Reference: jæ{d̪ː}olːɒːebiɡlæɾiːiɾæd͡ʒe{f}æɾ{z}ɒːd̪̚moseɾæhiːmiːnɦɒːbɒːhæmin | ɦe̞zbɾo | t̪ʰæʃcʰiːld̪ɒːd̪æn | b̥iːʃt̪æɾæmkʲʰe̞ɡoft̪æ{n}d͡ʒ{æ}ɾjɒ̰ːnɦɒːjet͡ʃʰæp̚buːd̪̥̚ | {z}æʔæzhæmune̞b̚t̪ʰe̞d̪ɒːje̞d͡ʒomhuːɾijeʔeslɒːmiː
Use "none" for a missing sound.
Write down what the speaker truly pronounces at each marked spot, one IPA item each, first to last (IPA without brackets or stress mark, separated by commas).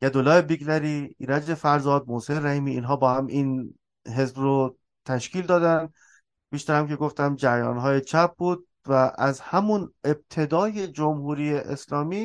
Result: d̪, f, z, m, æ, v